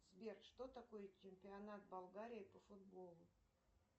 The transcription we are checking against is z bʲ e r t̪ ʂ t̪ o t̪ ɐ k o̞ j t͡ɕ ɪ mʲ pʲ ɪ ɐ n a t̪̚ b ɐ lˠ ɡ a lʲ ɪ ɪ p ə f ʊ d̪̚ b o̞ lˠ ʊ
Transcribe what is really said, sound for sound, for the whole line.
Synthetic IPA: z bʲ e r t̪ ʂ t̪ o t̪ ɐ k o̞ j t͡ɕ ɪ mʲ pʲ ɪ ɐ n a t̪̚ b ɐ lˠ ɡ a ɾʲ ɪ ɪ p ə f ʊ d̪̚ b o̞ lˠ ʊ